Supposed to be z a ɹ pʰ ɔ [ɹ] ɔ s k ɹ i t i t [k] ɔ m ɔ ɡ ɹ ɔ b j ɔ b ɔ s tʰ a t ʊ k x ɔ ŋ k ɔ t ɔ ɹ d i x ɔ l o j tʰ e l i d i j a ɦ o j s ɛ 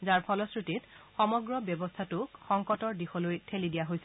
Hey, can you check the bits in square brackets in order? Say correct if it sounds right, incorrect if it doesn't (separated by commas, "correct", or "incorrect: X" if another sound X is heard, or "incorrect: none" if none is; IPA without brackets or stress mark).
incorrect: l, incorrect: x